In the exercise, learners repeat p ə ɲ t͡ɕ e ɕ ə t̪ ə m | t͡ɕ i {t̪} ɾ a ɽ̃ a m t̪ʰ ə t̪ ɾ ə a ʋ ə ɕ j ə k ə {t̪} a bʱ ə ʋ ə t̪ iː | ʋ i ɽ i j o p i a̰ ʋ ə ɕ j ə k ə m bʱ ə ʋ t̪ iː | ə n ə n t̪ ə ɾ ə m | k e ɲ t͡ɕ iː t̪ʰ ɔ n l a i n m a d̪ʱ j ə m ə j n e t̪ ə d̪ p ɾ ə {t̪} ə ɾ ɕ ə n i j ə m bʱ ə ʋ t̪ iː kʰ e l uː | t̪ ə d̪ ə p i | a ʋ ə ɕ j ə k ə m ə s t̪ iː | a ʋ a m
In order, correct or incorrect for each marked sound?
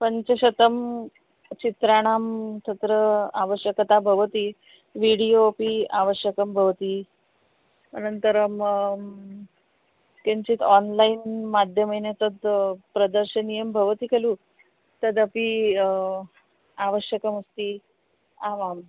correct, correct, incorrect: d̪

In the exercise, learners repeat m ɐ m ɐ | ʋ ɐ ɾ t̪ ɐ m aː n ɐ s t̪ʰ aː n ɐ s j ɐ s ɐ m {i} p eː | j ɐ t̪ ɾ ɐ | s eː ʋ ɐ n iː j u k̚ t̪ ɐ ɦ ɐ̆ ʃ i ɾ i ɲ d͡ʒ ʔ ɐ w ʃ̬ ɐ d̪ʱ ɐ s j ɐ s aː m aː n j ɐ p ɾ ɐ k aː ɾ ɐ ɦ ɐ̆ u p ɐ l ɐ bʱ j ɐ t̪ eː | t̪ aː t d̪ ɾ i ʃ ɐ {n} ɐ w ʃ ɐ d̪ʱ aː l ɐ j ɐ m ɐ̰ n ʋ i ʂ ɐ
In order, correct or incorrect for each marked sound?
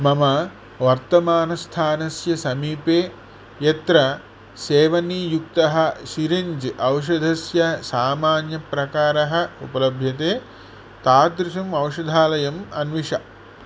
incorrect: iː, incorrect: m

